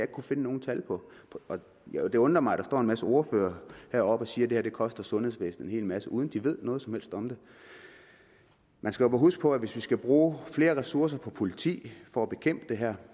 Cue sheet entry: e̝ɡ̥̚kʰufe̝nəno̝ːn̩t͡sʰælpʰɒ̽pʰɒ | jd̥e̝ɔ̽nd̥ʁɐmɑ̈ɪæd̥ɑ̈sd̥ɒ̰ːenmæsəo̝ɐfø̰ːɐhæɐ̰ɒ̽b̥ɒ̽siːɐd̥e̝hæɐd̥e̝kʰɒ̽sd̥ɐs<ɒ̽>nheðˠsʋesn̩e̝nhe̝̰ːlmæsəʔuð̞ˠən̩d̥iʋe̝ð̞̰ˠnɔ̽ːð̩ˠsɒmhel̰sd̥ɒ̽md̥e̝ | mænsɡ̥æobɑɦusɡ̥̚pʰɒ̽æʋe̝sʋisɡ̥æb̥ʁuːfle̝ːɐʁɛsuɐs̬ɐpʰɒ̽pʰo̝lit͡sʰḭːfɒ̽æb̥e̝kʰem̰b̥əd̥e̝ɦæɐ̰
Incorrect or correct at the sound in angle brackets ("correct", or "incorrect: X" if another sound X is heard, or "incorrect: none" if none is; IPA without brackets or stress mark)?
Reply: incorrect: ɔ̽